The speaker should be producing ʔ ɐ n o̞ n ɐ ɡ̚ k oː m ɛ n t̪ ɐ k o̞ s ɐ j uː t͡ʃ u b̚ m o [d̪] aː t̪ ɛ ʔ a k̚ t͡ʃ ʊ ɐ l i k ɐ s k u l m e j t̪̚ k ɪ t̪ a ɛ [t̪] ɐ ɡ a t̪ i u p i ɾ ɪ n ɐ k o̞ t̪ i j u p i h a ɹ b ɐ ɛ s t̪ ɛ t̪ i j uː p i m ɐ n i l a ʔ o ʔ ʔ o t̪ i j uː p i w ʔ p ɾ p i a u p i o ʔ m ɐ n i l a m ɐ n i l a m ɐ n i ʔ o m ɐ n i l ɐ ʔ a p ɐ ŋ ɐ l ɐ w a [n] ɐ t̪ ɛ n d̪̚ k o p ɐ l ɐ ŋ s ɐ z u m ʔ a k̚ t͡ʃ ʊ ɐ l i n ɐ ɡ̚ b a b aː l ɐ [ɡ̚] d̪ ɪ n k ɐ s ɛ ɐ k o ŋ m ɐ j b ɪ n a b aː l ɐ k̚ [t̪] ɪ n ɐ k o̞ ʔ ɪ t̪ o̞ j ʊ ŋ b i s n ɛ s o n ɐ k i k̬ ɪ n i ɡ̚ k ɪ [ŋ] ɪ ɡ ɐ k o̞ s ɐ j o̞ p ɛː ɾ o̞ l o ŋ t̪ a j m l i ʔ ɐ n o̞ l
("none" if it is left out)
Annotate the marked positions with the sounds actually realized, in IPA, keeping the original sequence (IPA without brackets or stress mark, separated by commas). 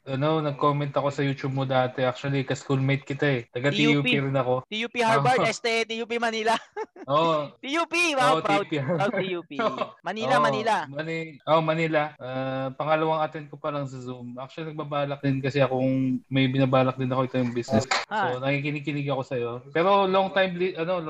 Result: d̪, t̪, ŋ, k̚, d̪, n